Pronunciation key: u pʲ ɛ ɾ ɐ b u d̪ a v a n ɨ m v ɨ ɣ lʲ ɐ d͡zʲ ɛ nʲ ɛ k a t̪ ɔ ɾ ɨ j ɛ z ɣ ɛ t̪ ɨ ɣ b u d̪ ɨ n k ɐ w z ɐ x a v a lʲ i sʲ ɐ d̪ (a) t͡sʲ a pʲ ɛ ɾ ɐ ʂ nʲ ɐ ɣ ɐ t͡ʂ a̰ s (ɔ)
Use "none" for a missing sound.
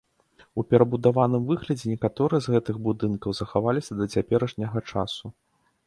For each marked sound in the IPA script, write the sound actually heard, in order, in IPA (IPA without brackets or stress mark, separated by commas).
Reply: ɐ, u